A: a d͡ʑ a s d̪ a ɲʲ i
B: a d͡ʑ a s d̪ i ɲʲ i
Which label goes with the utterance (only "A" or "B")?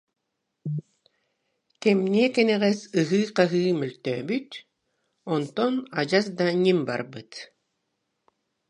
A